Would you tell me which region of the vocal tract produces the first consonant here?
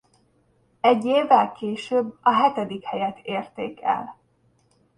palate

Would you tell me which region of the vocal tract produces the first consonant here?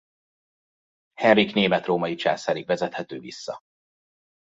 throat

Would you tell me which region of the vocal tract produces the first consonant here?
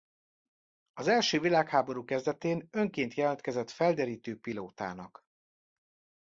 tongue tip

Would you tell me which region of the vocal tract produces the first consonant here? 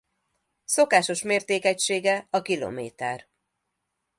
tongue tip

